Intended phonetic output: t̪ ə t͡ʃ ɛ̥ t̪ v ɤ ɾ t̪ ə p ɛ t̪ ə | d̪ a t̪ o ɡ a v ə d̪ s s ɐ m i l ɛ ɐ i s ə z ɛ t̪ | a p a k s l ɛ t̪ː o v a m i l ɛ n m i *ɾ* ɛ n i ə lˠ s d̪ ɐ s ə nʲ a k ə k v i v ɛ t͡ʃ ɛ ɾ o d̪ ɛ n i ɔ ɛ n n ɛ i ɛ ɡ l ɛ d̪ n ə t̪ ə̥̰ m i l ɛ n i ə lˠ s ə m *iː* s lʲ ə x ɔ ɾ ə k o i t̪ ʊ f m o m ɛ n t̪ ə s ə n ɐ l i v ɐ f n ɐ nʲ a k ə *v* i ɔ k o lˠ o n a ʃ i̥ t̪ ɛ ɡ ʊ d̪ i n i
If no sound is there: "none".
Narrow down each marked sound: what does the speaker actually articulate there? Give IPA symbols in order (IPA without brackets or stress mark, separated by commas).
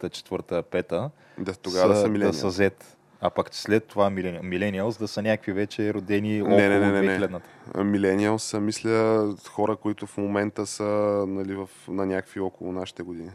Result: l, i, v